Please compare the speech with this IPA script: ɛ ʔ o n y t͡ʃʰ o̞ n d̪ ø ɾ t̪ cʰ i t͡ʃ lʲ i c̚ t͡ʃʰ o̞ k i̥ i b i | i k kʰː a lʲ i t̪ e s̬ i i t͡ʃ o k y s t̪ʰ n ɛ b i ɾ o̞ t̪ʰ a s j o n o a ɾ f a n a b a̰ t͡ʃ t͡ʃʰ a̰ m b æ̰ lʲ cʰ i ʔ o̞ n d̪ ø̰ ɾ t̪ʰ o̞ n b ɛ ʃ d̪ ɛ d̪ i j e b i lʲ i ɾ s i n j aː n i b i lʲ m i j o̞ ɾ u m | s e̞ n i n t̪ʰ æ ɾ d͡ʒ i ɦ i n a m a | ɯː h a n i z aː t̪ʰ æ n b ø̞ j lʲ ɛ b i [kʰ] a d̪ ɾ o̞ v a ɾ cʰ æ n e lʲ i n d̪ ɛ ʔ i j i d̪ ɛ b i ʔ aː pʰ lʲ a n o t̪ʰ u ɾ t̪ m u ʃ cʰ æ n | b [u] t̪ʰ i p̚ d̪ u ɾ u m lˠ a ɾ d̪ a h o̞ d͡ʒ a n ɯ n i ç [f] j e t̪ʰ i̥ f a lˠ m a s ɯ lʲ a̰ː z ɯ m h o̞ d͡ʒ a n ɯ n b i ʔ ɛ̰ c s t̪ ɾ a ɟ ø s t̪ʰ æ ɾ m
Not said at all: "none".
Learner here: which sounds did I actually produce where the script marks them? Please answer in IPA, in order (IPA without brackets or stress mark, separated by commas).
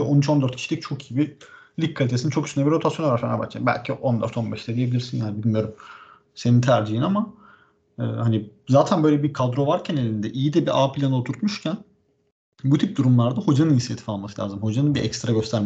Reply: kʰ, u, s